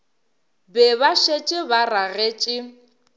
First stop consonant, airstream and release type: plain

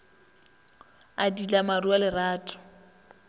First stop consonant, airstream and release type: plain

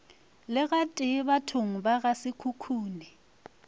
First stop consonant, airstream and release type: ejective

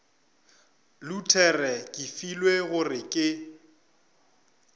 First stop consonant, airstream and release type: aspirated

